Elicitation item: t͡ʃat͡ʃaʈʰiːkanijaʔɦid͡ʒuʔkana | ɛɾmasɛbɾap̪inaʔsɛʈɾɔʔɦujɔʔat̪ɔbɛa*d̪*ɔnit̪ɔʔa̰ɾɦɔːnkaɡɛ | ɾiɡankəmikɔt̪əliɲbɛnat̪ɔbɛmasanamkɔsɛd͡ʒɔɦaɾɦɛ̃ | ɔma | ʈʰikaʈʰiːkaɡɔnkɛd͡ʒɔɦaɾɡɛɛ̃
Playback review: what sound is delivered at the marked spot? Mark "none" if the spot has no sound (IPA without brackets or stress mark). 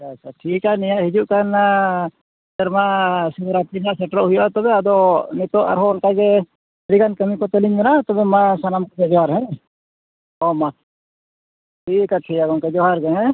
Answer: d̪